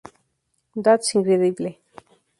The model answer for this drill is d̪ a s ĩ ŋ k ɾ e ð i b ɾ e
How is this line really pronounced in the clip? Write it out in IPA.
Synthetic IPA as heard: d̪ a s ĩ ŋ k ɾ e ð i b l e